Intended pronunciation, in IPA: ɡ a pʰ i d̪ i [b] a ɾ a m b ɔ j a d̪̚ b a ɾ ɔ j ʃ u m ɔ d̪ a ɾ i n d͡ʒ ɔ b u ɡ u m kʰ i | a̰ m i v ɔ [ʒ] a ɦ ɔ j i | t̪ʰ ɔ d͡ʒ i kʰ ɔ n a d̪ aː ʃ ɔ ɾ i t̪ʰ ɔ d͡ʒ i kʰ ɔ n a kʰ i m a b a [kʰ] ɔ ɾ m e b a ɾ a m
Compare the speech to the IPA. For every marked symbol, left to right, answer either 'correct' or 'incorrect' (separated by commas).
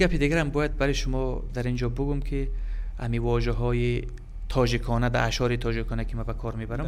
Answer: incorrect, correct, correct